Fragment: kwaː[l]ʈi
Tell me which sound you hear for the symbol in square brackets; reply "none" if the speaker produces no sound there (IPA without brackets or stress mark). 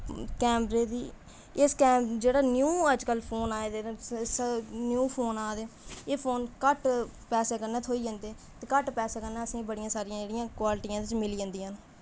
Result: l